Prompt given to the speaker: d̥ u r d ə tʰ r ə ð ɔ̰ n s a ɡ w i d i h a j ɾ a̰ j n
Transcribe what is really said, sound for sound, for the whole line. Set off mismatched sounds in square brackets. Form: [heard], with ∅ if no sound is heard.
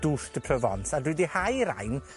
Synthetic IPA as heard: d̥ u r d ə [pʰ] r ə [v] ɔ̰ n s a [d] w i d i h a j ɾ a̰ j n